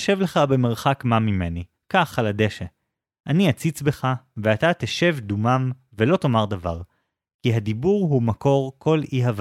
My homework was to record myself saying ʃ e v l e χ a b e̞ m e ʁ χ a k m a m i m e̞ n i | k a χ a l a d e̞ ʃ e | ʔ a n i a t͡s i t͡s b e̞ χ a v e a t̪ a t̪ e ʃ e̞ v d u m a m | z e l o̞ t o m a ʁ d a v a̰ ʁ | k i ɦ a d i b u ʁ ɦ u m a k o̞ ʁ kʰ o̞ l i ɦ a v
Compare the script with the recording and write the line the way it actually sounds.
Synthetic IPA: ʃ e v l e χ a b e̞ m e ʁ χ a k m a m i m e̞ n i | k a χ a l a d e̞ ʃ e | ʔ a n i a t͡s i t͡s b e̞ χ a v e a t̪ a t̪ e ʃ e̞ v d u m a m | v e l o̞ t o m a ʁ d a v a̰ ʁ | k i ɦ a d i b u ʁ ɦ u m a k o̞ ʁ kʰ o̞ l i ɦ a v